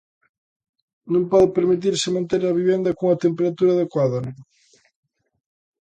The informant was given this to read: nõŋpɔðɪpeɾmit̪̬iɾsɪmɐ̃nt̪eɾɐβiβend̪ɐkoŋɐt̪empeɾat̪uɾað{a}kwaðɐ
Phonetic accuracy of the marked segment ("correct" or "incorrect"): incorrect